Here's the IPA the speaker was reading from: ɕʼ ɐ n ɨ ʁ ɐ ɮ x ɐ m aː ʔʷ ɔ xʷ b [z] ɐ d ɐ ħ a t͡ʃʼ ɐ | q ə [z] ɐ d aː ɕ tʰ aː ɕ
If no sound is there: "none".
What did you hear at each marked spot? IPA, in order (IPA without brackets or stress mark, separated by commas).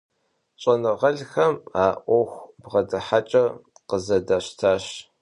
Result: ʁ, z